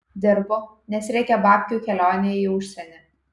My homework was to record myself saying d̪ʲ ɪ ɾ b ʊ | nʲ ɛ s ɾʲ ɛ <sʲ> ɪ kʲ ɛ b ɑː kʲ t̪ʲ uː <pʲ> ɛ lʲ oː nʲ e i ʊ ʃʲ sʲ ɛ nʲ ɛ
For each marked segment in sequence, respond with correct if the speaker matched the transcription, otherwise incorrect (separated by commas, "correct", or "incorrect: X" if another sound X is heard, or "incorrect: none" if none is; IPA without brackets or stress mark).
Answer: incorrect: none, incorrect: kʲ